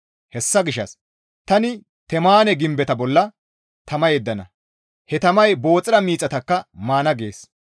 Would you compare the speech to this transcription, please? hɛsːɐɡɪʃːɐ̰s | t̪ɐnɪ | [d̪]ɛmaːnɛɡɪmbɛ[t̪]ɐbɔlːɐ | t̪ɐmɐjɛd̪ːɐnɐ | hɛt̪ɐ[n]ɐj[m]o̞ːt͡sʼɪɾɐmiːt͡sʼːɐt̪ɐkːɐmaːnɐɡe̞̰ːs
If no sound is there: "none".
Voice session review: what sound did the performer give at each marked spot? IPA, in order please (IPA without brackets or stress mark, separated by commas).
t̪, t̪, m, b